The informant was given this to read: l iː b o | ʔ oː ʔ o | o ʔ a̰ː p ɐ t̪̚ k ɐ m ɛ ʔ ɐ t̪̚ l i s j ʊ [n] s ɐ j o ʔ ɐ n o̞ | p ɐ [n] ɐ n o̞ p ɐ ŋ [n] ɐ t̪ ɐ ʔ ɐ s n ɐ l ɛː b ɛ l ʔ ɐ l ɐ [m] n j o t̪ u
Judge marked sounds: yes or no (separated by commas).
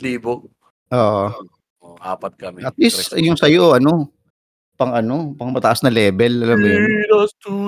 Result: no, no, no, yes